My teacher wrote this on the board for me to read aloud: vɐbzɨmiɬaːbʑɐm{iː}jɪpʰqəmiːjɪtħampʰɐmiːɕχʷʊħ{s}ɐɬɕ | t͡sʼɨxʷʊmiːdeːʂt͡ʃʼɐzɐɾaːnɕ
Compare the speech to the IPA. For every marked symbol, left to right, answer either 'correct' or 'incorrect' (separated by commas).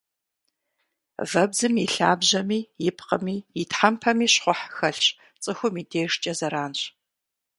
correct, incorrect